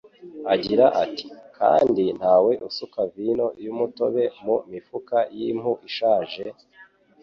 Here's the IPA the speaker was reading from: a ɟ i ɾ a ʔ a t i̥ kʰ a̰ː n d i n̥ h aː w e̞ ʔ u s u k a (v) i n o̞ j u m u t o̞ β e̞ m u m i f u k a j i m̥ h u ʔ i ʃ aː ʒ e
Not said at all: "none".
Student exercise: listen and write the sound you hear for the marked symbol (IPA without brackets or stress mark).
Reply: v